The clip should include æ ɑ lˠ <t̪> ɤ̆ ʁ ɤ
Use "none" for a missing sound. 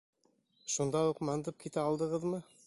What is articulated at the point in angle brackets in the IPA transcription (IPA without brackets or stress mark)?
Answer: d̪